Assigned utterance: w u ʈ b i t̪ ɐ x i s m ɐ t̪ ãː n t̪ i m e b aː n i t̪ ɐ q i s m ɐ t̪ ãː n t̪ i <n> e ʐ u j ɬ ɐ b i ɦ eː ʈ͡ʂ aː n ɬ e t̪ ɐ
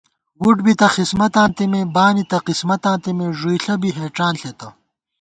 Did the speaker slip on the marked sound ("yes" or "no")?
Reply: yes